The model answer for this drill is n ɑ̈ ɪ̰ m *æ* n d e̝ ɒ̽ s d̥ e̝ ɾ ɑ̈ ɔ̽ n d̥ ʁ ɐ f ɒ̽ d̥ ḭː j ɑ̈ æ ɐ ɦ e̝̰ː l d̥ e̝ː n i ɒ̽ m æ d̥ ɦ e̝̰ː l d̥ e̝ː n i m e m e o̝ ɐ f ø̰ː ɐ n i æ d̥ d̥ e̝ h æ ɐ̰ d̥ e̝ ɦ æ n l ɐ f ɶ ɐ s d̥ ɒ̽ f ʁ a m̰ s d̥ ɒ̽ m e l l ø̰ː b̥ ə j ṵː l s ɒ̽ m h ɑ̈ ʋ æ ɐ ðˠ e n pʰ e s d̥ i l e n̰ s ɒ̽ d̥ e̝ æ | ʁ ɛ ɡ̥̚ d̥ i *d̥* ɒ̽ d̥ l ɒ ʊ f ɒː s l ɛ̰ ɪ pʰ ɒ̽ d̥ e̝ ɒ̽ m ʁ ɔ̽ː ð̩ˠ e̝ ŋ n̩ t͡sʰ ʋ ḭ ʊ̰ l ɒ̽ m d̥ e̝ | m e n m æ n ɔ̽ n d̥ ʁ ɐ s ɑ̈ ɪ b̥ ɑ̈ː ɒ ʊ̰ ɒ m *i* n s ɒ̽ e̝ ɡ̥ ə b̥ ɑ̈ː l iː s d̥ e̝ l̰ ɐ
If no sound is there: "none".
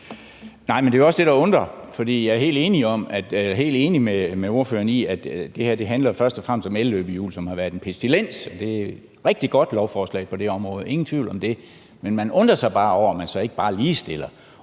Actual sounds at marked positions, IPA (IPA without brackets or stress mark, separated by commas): e, ɡ̥, æ